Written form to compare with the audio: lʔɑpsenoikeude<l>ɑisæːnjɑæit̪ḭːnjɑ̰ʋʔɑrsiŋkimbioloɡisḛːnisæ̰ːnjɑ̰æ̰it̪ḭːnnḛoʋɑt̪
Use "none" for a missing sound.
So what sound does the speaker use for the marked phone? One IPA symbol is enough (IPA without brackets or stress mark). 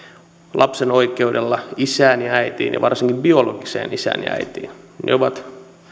lː